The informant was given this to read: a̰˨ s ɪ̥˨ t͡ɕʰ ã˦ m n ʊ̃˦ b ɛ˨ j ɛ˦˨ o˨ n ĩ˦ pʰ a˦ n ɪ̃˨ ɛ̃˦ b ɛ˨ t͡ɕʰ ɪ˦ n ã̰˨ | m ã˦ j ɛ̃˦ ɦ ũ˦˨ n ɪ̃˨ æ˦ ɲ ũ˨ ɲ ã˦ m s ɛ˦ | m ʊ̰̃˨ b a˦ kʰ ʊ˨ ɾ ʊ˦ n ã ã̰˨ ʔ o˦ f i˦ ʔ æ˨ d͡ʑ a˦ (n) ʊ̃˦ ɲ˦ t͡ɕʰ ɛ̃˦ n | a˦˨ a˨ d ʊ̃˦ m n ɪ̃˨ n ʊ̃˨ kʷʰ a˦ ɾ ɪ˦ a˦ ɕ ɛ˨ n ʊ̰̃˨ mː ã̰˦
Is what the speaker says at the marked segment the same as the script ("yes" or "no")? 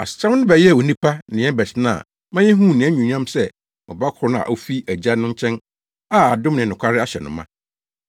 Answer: yes